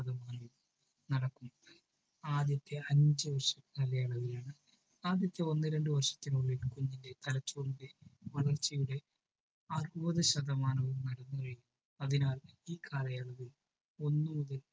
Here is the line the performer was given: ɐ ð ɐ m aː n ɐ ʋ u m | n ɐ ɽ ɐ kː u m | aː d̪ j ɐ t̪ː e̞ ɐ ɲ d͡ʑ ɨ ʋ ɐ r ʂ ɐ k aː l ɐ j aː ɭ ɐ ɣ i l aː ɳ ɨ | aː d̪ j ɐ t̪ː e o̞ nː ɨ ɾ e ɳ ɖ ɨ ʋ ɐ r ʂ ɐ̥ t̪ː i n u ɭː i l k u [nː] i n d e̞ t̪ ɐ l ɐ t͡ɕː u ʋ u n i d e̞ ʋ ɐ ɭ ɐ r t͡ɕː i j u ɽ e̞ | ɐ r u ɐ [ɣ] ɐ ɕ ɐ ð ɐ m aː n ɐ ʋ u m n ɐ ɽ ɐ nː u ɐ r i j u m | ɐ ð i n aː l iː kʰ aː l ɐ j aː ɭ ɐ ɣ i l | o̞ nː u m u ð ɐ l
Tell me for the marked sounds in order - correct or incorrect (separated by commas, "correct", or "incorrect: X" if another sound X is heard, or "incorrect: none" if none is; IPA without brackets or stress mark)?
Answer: incorrect: ɲː, incorrect: ð